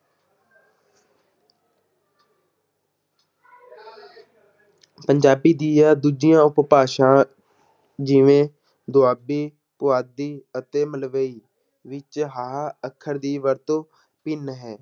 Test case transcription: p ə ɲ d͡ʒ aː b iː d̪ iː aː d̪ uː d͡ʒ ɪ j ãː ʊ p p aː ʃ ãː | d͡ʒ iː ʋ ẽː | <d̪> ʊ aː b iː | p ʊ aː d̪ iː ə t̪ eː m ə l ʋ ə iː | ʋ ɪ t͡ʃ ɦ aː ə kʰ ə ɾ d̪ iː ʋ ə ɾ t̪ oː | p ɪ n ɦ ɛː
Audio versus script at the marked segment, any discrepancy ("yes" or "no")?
no